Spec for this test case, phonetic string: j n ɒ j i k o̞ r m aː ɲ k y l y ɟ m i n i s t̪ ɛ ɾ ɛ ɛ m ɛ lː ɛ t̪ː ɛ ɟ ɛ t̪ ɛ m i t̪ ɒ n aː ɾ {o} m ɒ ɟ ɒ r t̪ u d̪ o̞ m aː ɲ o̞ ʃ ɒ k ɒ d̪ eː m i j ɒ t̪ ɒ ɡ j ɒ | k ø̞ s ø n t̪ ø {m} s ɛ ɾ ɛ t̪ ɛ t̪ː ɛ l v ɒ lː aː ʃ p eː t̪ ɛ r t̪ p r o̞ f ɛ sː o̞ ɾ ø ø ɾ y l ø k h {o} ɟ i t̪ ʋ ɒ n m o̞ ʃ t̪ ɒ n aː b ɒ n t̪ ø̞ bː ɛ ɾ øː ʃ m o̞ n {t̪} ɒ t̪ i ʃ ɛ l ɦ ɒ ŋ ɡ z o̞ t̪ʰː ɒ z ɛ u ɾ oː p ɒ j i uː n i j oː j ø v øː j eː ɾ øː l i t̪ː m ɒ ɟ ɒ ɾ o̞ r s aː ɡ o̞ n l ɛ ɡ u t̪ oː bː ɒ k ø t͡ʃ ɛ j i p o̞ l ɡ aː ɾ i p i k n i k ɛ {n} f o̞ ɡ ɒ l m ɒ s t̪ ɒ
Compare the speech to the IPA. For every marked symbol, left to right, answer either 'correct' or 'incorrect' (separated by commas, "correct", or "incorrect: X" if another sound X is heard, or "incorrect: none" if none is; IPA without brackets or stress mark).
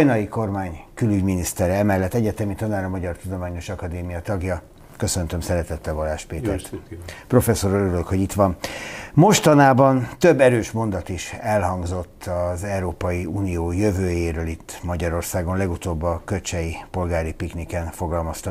incorrect: ɒ, correct, correct, incorrect: d̪, correct